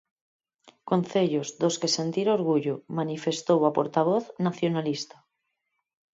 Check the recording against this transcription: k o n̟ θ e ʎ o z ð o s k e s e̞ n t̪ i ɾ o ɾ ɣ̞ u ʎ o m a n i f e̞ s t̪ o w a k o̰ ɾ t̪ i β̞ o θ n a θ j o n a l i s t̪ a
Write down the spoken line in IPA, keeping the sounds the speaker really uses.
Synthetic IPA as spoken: k o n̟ θ e ʎ o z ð o s k e s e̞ n t̪ i ɾ o ɾ ɣ̞ u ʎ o m a n i f e̞ s t̪ o w a p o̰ ɾ t̪ a β̞ o θ n a θ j o n a l i s t̪ a